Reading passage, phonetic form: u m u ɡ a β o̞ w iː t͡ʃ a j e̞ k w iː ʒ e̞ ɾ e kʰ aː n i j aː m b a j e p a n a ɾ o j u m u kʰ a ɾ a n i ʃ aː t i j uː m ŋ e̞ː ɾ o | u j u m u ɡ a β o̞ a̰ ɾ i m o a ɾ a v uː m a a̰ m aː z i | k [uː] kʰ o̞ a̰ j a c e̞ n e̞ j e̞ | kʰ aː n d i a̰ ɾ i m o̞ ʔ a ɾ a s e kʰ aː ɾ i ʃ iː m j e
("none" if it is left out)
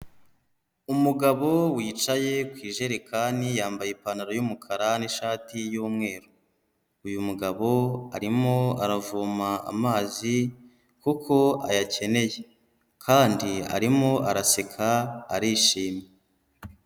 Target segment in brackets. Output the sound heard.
u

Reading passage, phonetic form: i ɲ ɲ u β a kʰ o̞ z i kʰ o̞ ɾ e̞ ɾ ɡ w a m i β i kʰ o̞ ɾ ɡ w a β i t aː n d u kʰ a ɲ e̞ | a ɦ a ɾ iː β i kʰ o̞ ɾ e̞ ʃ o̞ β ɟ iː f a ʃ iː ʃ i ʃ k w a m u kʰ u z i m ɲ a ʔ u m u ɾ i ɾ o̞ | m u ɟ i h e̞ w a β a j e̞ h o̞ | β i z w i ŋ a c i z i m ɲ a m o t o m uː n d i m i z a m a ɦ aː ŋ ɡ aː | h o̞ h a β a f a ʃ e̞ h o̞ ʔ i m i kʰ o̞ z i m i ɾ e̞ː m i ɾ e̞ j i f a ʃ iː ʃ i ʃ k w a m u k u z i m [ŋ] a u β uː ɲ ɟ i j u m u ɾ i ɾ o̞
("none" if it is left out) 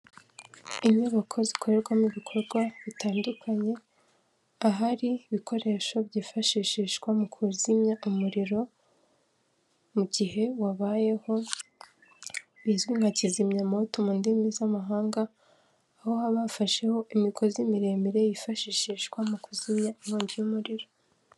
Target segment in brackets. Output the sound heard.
ɲ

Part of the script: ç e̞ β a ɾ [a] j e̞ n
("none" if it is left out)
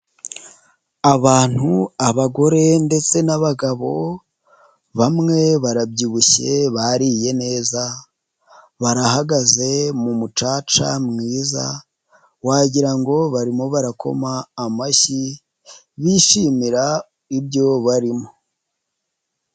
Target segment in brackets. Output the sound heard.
i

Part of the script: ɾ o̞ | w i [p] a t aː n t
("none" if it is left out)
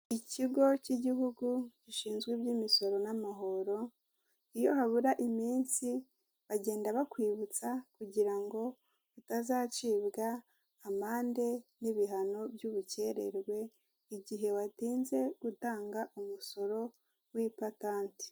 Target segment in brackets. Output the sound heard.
p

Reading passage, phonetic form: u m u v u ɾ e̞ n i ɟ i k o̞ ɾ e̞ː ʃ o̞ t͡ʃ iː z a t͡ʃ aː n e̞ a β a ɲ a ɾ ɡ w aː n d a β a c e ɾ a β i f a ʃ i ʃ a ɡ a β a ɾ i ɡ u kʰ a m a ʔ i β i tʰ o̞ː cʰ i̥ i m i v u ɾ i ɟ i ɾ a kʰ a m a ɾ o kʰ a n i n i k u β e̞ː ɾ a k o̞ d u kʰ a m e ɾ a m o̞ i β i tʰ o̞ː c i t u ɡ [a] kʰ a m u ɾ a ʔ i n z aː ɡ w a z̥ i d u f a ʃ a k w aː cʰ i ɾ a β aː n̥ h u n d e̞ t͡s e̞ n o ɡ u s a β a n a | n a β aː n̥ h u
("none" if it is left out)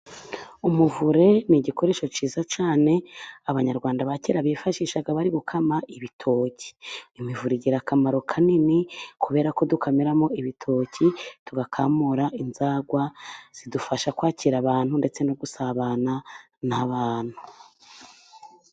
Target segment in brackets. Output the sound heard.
a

